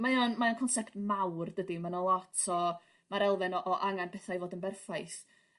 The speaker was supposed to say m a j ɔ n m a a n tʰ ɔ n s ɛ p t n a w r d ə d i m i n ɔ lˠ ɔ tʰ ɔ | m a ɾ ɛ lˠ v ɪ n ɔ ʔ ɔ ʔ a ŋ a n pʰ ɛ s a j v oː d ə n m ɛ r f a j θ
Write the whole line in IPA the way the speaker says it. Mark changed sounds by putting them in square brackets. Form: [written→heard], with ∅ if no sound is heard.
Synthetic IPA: m a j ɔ n m a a n [tʰ→kʰ] ɔ n s ɛ p t [n→m] a w r d ə d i m [i→a] n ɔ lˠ ɔ tʰ ɔ | m a ɾ ɛ lˠ v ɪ n ɔ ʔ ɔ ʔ a ŋ a n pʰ ɛ [s→θ] a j v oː d ə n [m→b] ɛ r f a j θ